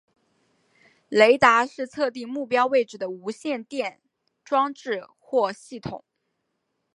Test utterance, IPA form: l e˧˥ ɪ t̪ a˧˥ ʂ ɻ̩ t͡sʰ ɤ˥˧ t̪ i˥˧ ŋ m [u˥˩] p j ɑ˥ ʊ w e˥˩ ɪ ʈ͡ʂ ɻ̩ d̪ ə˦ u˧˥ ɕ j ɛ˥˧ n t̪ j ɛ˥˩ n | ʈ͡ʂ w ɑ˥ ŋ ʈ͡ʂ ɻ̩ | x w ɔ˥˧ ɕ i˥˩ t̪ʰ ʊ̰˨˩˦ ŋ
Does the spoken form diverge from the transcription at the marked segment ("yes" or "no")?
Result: no